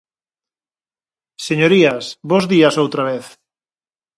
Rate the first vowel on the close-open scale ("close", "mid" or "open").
mid